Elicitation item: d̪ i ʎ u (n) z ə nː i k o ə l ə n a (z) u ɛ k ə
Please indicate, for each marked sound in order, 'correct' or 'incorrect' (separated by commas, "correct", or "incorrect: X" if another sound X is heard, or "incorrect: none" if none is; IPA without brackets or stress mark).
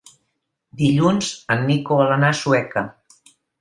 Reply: correct, incorrect: s